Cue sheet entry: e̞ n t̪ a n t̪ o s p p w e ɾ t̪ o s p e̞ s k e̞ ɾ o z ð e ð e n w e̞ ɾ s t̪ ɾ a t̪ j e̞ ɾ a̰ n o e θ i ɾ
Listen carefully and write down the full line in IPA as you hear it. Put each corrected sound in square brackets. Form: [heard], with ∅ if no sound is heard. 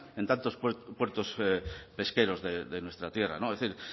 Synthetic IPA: e̞ n t̪ a n t̪ o s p p w e ɾ t̪ o s p e̞ s k e̞ ɾ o z ð e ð e n w e̞ [∅] s t̪ ɾ a t̪ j e̞ [r] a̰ n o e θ i ɾ